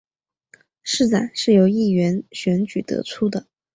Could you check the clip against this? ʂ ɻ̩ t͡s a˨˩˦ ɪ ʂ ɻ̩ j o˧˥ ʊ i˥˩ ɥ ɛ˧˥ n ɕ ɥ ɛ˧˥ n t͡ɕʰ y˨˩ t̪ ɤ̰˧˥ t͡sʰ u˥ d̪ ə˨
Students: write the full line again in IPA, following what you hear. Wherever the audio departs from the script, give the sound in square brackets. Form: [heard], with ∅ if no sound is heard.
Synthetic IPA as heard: ʂ ɻ̩ t͡s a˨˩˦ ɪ ʂ ɻ̩ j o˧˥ ʊ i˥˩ ɥ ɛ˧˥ n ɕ ɥ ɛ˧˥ n [t͡ɕ] y˨˩ t̪ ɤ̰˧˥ t͡sʰ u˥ d̪ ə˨

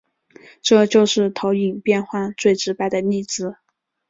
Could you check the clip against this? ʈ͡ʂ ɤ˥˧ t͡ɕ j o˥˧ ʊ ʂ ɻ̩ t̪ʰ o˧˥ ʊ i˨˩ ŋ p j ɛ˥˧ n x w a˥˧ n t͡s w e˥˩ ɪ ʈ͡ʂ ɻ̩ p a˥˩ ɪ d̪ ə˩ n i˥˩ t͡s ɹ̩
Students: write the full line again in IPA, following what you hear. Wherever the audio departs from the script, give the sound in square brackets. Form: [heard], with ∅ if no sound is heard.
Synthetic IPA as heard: ʈ͡ʂ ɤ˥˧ t͡ɕ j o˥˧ ʊ ʂ ɻ̩ t̪ʰ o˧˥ ʊ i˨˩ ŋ p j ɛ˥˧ n x w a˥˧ n t͡s w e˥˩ ɪ ʈ͡ʂ ɻ̩ p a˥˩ ɪ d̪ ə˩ n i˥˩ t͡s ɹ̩

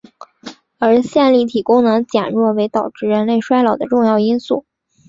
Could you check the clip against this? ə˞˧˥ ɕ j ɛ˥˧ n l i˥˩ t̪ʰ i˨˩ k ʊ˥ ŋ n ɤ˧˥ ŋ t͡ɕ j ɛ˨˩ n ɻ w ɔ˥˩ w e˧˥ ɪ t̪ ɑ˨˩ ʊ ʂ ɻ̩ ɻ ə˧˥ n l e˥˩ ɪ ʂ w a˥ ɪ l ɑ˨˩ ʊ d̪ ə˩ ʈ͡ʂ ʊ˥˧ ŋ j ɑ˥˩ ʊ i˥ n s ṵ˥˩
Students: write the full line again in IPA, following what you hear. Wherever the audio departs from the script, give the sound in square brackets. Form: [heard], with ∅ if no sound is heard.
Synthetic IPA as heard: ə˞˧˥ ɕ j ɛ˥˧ n l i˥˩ t̪ʰ i˨˩ k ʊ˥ ŋ n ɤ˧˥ ŋ t͡ɕ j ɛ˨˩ n ɻ w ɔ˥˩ w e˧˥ ɪ t̪ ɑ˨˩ ʊ [ʈ͡ʂ] ɻ̩ ɻ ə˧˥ n l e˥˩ ɪ ʂ w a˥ ɪ l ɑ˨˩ ʊ d̪ [ə˦] ʈ͡ʂ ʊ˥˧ ŋ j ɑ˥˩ ʊ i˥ n s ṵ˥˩

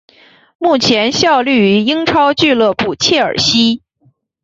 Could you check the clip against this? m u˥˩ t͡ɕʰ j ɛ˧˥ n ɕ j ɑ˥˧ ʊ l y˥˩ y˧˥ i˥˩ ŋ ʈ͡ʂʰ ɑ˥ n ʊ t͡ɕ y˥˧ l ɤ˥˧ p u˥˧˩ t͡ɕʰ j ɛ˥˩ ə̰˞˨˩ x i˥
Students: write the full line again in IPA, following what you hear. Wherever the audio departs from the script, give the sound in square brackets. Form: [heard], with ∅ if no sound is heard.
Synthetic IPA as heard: m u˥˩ t͡ɕʰ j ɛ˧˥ n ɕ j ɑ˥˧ ʊ l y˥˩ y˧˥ [i˥] ŋ ʈ͡ʂʰ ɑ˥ [∅] ʊ t͡ɕ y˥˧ l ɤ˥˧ p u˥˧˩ t͡ɕʰ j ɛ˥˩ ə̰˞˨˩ [ɕ] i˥

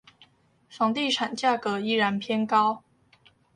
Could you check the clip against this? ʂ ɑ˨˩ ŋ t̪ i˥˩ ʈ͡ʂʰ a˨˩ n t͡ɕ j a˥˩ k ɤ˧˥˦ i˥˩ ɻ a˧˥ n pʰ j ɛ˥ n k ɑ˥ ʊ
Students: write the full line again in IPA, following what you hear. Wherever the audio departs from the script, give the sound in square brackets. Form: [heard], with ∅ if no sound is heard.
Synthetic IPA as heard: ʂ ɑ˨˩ ŋ t̪ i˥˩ ʈ͡ʂʰ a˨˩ n t͡ɕ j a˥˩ k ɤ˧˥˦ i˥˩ ɻ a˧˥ n pʰ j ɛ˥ n k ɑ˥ ʊ

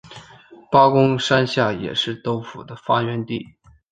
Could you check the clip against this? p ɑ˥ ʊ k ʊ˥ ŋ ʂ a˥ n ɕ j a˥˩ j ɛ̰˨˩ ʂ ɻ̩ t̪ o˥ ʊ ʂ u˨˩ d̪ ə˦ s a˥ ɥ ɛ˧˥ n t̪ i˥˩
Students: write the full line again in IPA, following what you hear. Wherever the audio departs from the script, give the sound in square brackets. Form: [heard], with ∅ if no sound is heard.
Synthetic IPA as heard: p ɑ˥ ʊ k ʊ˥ ŋ ʂ a˥ n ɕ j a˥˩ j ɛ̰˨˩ ʂ ɻ̩ t̪ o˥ ʊ [f] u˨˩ d̪ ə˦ [f] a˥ ɥ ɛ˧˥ n t̪ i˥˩

